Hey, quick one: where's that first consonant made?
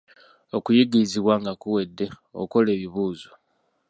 velum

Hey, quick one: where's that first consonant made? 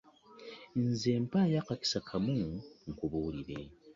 tongue tip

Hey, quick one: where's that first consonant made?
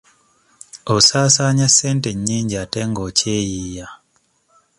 tongue tip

